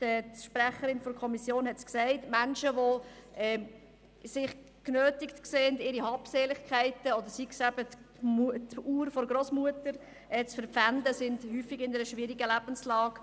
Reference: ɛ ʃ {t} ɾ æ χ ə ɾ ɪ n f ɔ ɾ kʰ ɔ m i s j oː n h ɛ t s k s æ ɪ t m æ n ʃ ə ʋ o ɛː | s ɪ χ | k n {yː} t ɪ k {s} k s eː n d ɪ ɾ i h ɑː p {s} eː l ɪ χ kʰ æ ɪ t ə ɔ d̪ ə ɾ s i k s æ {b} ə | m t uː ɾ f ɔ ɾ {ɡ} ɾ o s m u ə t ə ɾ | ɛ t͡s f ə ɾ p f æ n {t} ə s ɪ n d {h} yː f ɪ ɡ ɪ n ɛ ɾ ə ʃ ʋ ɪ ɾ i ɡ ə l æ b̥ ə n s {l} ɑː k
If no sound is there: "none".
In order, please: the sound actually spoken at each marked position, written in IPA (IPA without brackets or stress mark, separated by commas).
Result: p, øː, t, s, b, ɡ, d, h, l